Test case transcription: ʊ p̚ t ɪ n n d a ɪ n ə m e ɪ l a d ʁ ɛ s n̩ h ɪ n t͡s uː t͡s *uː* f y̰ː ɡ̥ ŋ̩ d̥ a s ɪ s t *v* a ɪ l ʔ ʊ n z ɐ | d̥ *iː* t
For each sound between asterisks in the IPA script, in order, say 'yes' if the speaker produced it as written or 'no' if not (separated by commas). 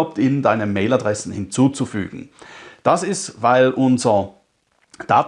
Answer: no, yes, no